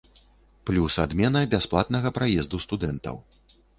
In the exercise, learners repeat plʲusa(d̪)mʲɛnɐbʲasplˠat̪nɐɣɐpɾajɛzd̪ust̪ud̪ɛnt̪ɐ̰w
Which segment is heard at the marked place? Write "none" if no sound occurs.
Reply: d̪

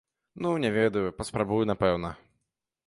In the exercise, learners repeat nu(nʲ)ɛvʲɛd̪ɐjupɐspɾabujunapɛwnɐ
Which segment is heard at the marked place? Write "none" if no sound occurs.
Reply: nʲ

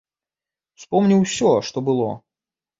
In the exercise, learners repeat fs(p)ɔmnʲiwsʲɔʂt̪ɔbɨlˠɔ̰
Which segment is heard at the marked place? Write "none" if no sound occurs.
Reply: p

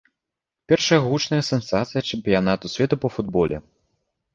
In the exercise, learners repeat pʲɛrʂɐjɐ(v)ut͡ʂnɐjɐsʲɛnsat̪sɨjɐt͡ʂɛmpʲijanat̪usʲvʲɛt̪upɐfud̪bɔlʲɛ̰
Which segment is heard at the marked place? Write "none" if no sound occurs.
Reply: ɣ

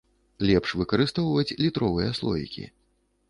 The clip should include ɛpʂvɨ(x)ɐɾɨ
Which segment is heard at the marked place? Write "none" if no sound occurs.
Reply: k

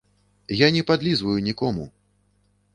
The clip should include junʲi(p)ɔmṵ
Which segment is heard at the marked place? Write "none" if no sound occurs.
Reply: k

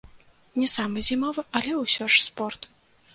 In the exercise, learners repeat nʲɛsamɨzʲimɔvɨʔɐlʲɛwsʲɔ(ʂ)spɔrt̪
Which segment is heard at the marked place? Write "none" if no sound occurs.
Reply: ʂ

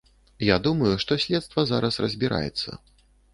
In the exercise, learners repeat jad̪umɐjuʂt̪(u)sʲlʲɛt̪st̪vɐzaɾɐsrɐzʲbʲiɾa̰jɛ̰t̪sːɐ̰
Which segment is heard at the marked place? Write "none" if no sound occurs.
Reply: ɔ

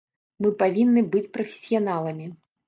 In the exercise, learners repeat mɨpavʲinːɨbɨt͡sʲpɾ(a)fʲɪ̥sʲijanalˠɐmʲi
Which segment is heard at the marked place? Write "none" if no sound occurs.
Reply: ɐ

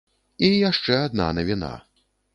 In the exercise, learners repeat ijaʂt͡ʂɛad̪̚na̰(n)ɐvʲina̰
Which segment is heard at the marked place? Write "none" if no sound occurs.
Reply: n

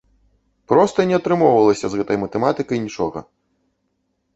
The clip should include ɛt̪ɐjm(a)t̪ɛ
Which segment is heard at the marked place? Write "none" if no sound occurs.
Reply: ɐ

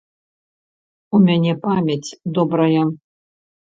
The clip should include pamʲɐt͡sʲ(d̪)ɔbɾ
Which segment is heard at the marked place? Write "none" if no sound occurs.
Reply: d̪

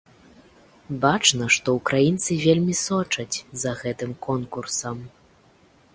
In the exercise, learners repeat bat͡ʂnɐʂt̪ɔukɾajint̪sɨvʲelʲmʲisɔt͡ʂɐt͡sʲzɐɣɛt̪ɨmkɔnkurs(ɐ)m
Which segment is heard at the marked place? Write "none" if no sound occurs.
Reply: ɐ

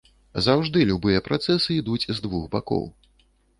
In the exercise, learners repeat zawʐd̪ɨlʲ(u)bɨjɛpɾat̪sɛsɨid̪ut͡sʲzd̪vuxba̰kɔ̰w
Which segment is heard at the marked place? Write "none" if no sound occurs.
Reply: u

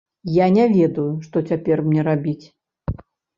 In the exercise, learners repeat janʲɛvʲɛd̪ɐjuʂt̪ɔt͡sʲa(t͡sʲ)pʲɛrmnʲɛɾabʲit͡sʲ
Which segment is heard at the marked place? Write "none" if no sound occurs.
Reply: none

